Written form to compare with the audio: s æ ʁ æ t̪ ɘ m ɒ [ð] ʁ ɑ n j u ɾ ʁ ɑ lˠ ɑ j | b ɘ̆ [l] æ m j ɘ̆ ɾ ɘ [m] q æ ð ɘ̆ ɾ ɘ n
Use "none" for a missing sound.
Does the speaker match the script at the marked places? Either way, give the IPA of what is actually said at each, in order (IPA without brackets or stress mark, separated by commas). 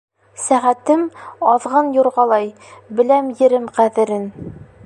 ð, l, m